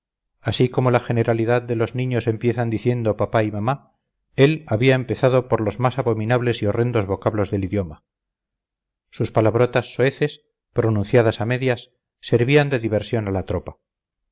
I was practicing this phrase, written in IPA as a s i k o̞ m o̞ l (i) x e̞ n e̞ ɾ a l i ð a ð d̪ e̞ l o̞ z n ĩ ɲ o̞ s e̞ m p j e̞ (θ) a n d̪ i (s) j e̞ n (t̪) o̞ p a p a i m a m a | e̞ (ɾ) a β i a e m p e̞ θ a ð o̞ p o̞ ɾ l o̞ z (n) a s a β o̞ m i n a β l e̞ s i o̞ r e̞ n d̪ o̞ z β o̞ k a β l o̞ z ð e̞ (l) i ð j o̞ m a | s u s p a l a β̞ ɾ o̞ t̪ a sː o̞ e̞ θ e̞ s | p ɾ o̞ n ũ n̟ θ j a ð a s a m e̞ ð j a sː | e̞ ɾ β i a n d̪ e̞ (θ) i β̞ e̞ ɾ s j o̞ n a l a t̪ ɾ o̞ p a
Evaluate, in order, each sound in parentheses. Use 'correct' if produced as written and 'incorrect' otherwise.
incorrect: a, correct, incorrect: θ, incorrect: d̪, incorrect: l, incorrect: m, correct, incorrect: ð

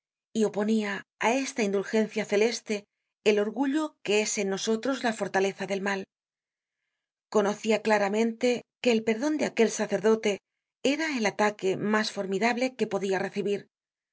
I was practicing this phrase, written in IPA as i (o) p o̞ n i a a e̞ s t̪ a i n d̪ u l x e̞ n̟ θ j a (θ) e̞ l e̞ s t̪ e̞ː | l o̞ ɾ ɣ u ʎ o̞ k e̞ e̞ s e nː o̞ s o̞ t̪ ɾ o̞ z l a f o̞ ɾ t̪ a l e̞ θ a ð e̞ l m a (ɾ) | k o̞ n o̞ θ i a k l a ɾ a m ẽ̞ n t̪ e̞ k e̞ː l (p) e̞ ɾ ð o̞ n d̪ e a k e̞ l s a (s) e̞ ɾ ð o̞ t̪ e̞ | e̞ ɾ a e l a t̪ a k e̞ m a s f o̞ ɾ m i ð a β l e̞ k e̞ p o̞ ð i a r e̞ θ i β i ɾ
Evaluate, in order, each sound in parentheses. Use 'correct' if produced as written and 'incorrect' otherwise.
correct, correct, incorrect: l, correct, incorrect: θ

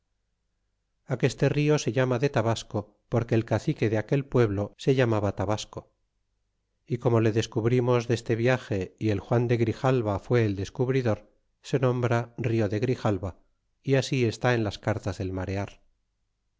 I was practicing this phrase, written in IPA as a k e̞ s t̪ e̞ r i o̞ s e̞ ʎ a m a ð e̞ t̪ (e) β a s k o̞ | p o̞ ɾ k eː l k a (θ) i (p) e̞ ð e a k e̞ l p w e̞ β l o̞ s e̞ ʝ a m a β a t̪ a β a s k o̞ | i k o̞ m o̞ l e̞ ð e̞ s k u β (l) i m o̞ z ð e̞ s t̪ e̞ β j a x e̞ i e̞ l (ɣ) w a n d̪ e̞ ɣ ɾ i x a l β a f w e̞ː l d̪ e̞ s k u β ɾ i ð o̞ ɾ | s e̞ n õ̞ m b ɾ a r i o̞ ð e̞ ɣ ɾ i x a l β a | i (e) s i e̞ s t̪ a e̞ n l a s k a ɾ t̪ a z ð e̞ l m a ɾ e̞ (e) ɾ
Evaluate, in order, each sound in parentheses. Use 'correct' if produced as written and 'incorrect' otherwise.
incorrect: a, correct, incorrect: k, incorrect: ɾ, incorrect: x, incorrect: a, incorrect: a

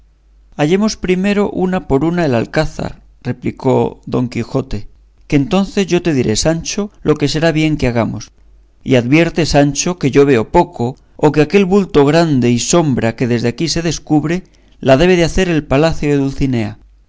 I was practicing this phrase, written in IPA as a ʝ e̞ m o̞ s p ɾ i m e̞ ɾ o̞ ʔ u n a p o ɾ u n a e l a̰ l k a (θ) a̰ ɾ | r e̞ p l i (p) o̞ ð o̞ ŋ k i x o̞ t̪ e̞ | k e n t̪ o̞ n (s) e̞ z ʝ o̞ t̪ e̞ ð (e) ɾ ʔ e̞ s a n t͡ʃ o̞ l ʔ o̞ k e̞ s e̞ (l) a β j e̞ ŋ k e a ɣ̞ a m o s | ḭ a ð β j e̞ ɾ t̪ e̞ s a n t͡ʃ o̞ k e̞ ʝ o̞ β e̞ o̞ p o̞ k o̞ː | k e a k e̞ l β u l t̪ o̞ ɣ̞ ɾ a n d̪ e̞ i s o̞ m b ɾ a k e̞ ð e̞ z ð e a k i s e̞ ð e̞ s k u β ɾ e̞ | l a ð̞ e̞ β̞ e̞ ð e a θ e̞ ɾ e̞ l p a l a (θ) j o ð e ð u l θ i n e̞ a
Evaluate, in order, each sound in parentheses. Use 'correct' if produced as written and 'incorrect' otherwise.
correct, incorrect: k, incorrect: θ, incorrect: i, incorrect: ɾ, correct

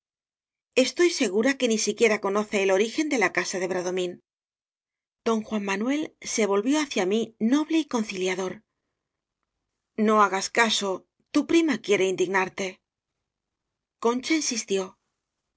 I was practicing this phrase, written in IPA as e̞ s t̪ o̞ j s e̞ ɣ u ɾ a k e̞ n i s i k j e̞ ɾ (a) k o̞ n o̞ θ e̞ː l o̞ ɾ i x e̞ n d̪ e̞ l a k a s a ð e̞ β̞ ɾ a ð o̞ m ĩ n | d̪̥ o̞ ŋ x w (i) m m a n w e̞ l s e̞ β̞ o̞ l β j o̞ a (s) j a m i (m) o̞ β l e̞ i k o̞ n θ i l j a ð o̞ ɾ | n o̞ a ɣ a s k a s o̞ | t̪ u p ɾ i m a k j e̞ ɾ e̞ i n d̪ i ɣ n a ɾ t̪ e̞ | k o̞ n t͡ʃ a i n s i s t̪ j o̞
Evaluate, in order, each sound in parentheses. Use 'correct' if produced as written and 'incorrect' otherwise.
correct, incorrect: a, incorrect: θ, incorrect: n

